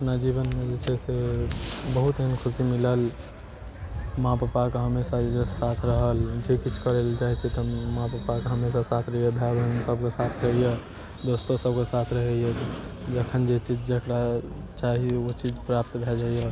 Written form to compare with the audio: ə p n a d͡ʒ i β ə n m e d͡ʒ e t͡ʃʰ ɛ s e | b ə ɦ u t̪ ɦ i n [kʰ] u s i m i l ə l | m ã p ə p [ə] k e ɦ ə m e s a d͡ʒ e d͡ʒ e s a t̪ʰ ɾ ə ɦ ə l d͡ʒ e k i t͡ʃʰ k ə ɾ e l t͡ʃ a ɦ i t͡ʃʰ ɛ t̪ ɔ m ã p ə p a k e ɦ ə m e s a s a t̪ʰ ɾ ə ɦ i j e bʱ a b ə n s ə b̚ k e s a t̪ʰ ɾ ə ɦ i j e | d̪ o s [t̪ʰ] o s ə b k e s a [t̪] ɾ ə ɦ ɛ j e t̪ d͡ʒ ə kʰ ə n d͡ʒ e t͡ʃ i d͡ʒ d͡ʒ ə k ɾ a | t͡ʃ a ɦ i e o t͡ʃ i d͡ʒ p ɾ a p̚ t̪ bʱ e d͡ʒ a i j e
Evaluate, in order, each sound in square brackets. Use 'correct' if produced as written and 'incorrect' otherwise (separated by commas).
correct, incorrect, incorrect, incorrect